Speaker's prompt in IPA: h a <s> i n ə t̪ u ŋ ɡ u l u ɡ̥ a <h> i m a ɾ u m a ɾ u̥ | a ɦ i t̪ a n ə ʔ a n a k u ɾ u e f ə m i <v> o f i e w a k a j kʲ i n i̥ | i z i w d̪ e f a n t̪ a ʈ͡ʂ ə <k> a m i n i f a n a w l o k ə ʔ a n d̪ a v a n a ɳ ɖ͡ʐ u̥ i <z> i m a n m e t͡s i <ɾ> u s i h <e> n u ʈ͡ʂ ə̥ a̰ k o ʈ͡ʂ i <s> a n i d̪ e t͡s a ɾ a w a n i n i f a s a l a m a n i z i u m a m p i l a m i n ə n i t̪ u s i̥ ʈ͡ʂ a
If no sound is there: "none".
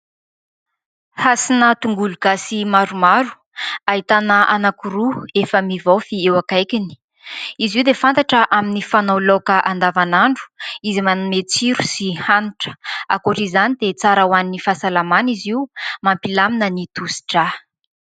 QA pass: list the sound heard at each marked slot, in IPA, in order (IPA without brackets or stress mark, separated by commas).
s, s, v, ʔ, z, ɾ, a, z